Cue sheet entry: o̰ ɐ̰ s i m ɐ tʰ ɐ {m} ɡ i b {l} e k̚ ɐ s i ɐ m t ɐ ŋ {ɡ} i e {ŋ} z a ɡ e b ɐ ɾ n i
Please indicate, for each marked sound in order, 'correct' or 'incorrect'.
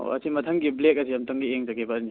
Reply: incorrect: ŋ, correct, correct, correct

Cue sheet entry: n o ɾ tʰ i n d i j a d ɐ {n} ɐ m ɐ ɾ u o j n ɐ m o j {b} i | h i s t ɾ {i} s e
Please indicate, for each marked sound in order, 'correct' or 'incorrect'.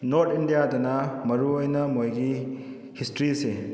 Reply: correct, incorrect: ɡ, correct

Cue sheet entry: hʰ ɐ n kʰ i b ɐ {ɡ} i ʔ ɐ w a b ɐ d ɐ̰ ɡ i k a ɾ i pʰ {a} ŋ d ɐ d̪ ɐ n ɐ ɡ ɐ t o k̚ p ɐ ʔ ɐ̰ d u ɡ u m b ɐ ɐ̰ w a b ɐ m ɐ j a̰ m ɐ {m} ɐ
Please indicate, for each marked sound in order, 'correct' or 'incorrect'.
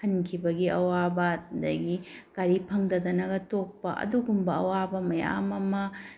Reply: correct, incorrect: ɐ, correct

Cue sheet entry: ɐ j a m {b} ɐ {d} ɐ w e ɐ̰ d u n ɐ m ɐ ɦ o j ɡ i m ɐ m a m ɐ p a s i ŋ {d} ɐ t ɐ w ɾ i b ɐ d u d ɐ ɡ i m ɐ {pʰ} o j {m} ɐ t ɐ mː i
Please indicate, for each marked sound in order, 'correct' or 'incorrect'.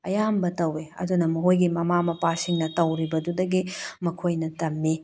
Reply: correct, incorrect: t, incorrect: n, incorrect: kʰ, incorrect: n

